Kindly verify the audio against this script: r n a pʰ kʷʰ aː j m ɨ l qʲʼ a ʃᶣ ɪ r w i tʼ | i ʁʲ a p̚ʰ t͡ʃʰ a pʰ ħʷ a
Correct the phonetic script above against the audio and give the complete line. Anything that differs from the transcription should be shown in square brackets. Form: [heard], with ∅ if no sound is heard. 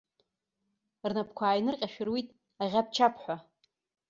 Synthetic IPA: r n a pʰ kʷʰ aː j [n] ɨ [r] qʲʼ a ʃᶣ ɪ r w i tʼ | [a] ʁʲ a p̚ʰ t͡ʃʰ a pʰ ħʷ a